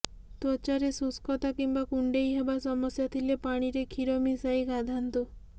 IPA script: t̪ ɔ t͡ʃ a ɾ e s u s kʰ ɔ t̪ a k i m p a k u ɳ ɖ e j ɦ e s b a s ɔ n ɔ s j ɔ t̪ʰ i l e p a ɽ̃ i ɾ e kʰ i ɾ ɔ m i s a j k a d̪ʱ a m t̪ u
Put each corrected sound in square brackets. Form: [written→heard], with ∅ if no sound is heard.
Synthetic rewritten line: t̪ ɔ t͡ʃ a ɾ e s u s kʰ ɔ t̪ a k i m [p→b] a k u ɳ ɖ e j ɦ e [s→∅] b a s ɔ [n→m] ɔ s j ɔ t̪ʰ i l e p a ɽ̃ i ɾ e kʰ i ɾ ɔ m i s a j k a d̪ʱ a [m→n] t̪ u